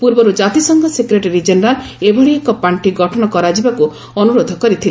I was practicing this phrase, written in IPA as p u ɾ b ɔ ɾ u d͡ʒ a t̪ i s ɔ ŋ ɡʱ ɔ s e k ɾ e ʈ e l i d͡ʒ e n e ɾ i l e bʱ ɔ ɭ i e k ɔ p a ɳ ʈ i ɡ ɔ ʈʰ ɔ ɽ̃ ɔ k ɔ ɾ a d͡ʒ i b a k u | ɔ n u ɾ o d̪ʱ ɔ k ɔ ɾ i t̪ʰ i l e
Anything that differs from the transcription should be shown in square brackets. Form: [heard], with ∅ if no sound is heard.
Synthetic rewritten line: p u ɾ b ɔ ɾ u d͡ʒ a t̪ i s ɔ ŋ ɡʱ ɔ s e k ɾ e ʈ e [ɾ] i d͡ʒ e n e ɾ [a] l e bʱ ɔ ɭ i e k ɔ p a ɳ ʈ i ɡ ɔ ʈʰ ɔ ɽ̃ ɔ k ɔ ɾ a d͡ʒ i b a k u | ɔ n u ɾ o d̪ʱ ɔ k ɔ ɾ i t̪ʰ i l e